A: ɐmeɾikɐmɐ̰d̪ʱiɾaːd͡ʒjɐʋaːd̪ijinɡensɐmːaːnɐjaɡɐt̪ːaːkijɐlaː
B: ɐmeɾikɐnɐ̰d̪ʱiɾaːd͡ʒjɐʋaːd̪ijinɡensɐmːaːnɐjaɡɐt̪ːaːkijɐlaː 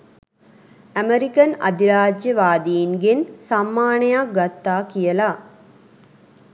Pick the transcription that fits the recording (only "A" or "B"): B